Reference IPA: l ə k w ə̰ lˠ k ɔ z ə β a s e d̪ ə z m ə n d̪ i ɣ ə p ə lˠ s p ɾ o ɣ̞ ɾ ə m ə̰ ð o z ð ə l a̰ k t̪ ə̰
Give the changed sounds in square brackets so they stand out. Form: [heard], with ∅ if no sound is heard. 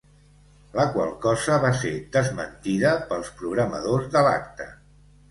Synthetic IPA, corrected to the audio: l ə k w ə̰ lˠ k ɔ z ə β a s e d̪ ə z m ə n [t̪] i [ð] ə p ə lˠ s p ɾ [u] ɣ̞ ɾ ə m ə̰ ð o z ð ə l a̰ k t̪ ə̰